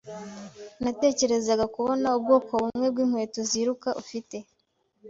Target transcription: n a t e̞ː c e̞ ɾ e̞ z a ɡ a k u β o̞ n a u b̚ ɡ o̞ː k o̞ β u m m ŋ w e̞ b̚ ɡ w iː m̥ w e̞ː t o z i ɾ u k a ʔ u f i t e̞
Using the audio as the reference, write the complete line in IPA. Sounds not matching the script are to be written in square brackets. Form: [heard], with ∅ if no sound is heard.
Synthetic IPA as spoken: n a t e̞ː c e̞ ɾ e̞ z a ɡ a k u β o̞ n a u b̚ ɡ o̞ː k o̞ β u m m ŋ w e̞ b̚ ɡ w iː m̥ w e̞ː t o z i ɾ u k a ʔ u f i t e̞